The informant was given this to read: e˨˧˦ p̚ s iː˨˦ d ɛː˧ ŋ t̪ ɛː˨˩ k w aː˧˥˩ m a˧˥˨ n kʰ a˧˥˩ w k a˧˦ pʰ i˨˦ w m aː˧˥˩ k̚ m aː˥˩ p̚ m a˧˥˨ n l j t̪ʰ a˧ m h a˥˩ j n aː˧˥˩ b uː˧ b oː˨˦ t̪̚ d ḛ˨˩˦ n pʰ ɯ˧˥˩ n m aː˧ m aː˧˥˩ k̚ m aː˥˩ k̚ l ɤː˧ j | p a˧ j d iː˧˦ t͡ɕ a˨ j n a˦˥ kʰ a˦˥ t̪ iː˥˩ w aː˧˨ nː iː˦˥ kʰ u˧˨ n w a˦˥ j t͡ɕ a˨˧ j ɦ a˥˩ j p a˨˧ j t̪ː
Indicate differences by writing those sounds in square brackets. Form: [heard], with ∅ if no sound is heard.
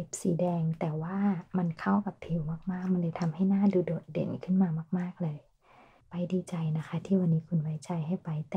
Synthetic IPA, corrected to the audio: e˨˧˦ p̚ s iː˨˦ d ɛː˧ ŋ t̪ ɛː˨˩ [∅] w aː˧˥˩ m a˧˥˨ n kʰ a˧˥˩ w k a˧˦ pʰ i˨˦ w m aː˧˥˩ k̚ m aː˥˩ [k̚] m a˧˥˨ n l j t̪ʰ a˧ m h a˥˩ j n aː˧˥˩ [d] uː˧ [d] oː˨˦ t̪̚ d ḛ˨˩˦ n [kʰ] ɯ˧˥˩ n m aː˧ m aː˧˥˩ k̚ m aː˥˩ k̚ l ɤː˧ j | p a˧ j d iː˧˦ t͡ɕ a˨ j n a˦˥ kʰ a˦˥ [t̪ʰ] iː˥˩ w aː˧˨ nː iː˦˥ kʰ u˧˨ n w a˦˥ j t͡ɕ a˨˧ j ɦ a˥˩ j p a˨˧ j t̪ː